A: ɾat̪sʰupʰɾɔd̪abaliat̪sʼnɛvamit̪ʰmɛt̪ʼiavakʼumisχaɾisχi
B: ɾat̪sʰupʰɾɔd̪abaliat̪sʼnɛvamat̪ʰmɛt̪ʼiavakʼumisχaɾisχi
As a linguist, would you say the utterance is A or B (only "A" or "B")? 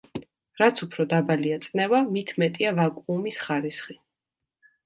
A